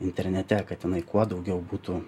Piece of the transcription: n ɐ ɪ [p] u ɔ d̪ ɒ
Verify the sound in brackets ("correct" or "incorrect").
incorrect